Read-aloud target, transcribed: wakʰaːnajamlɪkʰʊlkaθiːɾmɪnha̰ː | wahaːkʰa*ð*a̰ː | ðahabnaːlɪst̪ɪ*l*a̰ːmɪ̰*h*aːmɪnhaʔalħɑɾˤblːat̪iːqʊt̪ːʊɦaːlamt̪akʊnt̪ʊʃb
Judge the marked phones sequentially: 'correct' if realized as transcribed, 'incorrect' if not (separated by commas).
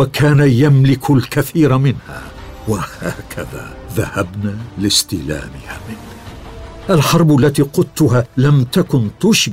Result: correct, correct, correct